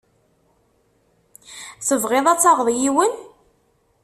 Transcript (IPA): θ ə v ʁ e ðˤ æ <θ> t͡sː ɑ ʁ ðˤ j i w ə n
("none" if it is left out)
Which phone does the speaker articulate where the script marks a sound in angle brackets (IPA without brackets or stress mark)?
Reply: none